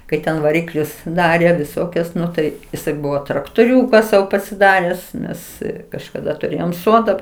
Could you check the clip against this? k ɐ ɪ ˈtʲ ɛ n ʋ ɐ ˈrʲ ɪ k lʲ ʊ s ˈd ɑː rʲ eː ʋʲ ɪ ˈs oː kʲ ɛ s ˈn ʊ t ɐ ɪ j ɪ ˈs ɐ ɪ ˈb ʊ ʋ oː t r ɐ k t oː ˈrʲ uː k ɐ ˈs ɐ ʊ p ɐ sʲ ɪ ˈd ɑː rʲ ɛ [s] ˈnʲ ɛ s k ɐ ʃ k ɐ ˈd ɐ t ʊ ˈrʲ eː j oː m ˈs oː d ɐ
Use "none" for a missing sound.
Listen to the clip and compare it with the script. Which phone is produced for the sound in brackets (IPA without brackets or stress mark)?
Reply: s